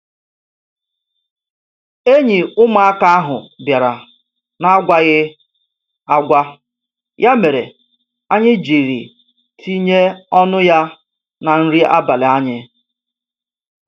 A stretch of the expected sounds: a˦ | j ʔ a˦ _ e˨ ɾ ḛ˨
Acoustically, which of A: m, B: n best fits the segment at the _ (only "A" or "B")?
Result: A